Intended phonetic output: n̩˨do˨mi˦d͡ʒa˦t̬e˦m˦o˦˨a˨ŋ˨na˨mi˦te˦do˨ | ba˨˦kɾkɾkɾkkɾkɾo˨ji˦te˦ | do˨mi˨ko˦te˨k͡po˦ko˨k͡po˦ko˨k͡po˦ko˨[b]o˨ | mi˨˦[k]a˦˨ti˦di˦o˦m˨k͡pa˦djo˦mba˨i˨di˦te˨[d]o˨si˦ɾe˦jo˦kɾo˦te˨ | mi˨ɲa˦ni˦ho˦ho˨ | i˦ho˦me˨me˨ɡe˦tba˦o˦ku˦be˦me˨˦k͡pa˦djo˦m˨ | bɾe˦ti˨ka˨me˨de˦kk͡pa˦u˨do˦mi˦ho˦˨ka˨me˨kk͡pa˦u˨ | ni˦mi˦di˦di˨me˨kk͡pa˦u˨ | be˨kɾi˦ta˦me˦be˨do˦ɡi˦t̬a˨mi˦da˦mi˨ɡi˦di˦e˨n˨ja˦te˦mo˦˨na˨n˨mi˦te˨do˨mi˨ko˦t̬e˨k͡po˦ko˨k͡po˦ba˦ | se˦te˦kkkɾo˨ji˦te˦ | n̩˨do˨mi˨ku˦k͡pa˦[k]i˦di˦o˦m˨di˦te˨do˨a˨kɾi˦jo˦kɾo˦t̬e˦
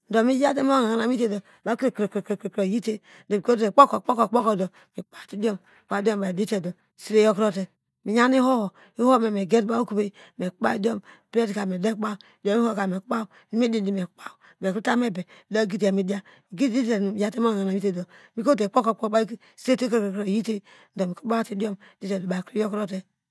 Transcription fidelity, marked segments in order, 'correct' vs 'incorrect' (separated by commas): incorrect, incorrect, correct, incorrect